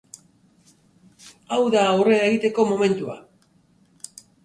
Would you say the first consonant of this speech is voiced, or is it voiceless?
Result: voiced